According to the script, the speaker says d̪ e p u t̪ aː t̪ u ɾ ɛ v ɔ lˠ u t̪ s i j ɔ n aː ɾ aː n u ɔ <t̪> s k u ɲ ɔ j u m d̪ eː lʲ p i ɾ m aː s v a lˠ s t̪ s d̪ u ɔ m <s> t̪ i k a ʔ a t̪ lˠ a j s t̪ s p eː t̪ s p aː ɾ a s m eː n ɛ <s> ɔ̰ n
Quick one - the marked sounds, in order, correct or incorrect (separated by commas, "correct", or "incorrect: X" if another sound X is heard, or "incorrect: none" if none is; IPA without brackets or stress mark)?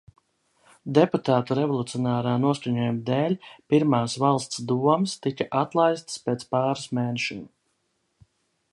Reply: incorrect: none, correct, incorrect: ʃ